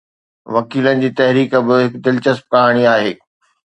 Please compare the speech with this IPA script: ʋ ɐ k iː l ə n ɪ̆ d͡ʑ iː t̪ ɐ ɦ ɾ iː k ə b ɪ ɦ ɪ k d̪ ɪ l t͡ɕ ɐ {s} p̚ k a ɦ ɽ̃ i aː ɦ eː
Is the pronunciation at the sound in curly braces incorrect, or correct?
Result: correct